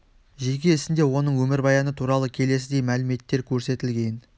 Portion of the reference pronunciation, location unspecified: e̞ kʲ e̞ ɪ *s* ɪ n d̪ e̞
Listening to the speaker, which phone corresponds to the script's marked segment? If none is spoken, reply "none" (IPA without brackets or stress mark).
s